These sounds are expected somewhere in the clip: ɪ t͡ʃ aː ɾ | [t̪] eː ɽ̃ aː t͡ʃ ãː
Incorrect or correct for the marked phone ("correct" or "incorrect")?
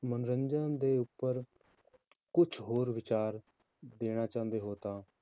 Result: incorrect